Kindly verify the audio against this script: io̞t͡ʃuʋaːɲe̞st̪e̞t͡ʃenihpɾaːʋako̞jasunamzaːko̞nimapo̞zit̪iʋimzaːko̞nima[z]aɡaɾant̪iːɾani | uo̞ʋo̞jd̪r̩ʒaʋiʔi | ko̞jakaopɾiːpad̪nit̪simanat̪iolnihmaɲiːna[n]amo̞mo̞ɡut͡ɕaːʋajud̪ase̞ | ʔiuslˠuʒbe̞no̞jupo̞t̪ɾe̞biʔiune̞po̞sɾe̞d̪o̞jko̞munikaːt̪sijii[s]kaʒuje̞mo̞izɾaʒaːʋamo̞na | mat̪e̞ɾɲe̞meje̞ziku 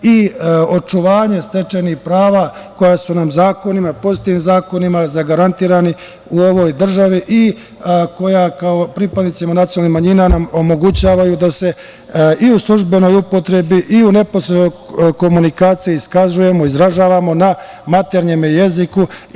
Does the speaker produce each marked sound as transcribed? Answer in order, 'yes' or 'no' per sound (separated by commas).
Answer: yes, yes, yes